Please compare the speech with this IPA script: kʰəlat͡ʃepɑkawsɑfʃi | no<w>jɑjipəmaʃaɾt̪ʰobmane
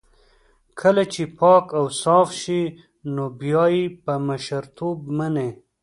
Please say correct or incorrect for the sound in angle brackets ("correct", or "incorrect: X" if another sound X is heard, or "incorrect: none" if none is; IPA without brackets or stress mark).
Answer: incorrect: b